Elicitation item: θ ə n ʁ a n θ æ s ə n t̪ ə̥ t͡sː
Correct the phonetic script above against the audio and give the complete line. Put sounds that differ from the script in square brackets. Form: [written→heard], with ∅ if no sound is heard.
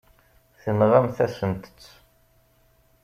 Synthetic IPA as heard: θ ə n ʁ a [n→m] θ æ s ə n t̪ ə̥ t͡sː

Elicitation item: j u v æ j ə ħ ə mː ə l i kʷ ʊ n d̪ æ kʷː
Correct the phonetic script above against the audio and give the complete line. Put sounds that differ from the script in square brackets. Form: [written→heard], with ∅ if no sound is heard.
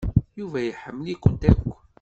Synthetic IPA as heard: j u v æ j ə ħ ə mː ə l i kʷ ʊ n [d̪→t̪] æ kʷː

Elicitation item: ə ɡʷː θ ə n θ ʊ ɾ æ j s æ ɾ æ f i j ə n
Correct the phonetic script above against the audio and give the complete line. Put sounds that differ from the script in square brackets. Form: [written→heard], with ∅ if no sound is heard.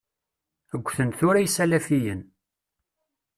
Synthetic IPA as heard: ə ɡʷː θ ə n θ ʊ ɾ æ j s æ [ɾ→l] æ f i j ə n

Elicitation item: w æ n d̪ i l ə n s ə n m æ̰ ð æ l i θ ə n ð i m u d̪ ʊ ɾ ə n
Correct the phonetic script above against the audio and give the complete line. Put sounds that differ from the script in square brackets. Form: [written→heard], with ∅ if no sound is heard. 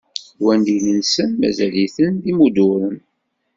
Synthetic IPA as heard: w æ n d̪ i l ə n s ə n m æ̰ [ð→z] æ l i θ ə n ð i m u d̪ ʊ ɾ ə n

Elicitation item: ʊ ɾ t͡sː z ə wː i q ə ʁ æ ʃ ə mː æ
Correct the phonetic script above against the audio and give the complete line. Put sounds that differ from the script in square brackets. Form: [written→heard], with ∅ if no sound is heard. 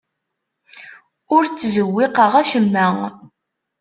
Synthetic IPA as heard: ʊ ɾ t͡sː z ə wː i q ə ʁ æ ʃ ə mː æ

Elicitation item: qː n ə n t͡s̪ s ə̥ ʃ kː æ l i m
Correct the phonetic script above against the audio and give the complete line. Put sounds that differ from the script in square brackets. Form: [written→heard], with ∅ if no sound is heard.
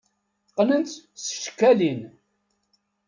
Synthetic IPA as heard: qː n ə n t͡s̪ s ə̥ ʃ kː æ l i [m→n]

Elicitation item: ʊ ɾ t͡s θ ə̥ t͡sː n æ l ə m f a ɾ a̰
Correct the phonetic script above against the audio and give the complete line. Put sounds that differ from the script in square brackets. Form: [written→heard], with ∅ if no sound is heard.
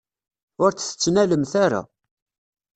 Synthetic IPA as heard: ʊ ɾ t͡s θ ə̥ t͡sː n æ l ə m [f→θ] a ɾ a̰

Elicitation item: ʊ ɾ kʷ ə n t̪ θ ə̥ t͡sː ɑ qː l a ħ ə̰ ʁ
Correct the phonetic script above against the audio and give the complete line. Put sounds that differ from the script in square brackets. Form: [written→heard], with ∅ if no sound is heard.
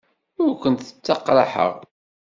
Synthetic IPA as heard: ʊ ɾ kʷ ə n t̪ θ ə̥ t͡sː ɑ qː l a ħ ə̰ ʁ

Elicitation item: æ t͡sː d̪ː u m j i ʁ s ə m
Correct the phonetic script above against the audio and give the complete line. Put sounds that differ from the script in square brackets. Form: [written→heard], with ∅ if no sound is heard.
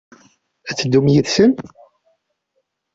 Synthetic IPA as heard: æ t͡sː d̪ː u m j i [ʁ→ð] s ə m

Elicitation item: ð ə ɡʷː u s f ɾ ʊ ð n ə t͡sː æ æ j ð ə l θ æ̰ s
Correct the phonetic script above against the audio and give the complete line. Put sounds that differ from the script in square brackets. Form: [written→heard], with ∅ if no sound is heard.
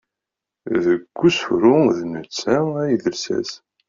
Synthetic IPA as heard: ð ə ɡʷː u s f ɾ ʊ ð n ə t͡sː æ æ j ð ə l [θ→s] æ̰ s

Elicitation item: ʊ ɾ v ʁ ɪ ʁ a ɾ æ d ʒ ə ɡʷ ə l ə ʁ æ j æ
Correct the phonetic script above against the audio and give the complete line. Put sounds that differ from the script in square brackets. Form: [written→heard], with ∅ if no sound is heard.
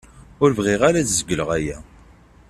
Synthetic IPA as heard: ʊ ɾ v ʁ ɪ ʁ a ɾ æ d [ʒ→z] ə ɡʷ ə l ə ʁ æ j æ

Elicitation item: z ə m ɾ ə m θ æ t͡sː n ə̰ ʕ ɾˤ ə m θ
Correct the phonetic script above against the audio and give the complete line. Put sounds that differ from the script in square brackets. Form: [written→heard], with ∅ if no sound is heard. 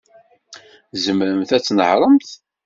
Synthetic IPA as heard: z ə m ɾ ə m θ æ t͡sː n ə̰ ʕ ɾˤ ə m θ

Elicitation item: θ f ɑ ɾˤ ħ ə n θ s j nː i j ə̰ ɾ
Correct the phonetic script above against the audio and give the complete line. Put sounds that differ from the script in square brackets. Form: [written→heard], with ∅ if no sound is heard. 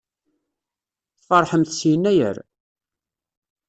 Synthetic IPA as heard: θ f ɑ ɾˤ ħ ə [n→m] θ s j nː [i→æ] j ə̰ ɾ

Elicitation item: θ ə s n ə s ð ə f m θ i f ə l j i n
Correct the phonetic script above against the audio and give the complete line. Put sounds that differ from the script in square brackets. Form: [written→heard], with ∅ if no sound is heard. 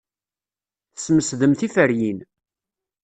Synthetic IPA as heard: θ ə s [n→m] ə s ð ə [f→∅] m θ i f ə [l→ɾ] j i n

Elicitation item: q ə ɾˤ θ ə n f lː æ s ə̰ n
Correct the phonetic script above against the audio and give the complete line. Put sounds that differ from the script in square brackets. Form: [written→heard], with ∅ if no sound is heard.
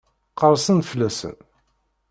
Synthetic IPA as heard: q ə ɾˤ [θ→s] ə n f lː æ s ə̰ n

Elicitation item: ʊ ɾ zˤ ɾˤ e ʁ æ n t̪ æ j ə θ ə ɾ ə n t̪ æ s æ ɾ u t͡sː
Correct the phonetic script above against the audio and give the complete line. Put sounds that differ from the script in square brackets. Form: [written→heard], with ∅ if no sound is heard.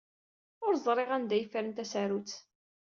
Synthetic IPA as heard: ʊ ɾ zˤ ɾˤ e ʁ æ n [t̪→d̪] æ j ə [θ→f] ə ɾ ə n t̪ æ s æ ɾ u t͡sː

